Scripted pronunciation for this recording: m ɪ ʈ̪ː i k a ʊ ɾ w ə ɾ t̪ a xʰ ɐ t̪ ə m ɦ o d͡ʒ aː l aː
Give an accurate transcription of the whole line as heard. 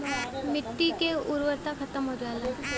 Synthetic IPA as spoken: m ɪ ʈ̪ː i k e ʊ ɾ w ə ɾ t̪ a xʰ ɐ t̪ ə m ɦ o d͡ʒ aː l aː